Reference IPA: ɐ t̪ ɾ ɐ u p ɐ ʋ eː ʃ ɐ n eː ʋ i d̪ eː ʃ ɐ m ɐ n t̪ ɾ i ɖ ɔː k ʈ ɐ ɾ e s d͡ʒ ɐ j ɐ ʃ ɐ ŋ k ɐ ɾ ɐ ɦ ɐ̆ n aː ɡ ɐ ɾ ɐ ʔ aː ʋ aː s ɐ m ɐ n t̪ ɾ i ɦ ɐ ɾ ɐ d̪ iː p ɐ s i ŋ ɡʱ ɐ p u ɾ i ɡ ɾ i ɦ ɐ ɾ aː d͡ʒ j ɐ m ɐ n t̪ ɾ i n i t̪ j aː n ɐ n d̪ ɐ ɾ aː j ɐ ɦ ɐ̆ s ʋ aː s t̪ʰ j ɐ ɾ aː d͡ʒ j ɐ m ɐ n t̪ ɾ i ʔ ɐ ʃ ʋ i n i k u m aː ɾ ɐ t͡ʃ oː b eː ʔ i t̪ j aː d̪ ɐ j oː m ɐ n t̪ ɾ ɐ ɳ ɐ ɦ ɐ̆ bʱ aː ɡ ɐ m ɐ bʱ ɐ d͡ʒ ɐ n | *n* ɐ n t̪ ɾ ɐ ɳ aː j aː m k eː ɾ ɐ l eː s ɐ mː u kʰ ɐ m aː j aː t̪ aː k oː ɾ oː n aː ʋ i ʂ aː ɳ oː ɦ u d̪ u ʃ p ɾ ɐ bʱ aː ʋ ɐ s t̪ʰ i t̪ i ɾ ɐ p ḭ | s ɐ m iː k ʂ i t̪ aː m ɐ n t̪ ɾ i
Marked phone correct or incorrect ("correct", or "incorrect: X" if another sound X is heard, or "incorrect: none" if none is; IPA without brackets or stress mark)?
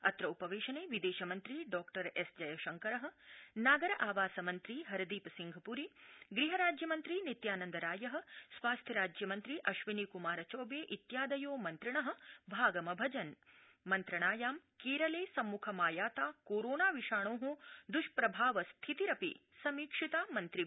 incorrect: m